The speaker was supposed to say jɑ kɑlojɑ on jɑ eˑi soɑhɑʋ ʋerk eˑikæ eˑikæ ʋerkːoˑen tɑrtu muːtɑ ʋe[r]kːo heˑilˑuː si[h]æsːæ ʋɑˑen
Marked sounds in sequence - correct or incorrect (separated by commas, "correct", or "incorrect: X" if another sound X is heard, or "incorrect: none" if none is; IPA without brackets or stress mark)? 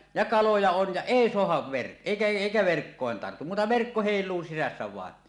correct, incorrect: s